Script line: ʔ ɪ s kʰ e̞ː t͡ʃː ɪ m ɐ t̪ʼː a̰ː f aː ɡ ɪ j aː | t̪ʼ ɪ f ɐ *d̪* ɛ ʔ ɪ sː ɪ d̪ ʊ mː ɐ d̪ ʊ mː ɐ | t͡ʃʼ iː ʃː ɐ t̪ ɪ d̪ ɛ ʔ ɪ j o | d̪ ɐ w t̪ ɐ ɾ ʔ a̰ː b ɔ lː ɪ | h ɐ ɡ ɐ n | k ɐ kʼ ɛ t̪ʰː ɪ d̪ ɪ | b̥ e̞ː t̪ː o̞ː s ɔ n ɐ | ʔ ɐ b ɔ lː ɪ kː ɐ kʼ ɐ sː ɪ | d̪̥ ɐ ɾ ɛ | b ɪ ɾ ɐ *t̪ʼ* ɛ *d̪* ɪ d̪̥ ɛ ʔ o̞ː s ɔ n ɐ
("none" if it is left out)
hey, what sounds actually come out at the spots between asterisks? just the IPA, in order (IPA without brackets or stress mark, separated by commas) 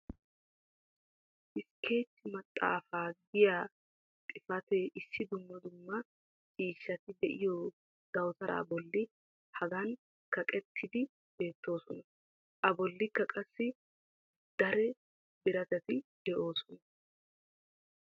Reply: t̪, t̪, t̪